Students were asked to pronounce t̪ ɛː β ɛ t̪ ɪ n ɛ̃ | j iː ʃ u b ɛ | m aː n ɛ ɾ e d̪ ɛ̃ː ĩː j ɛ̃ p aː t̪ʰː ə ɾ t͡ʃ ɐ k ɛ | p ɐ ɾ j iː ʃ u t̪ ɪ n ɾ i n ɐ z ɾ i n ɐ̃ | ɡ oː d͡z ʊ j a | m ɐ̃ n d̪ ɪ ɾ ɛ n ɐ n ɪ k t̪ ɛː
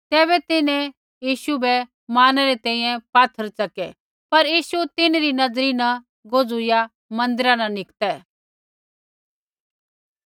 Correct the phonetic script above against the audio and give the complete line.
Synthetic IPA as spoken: t̪ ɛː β ɛ t̪ ɪ n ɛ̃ | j iː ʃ u b ɛ | m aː n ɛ ɾ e t̪ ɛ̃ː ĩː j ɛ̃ p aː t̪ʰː ə ɾ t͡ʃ ɐ k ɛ | p ɐ ɾ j iː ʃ u t̪ ɪ n ɾ i n ɐ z ɾ i n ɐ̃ | ɡ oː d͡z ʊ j a | m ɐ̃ n d̪ ɪ ɾ a n ɐ n ɪ k t̪ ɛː